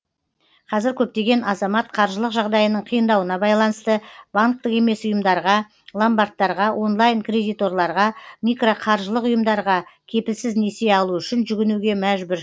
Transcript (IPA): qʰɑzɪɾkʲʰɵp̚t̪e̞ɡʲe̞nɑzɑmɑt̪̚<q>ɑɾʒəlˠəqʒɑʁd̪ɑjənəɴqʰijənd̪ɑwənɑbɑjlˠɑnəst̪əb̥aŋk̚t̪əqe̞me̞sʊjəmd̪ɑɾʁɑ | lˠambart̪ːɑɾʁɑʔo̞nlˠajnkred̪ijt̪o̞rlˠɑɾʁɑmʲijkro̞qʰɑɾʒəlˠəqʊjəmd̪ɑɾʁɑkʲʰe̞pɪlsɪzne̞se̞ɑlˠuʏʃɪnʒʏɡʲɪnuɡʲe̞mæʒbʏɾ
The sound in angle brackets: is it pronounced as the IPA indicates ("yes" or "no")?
no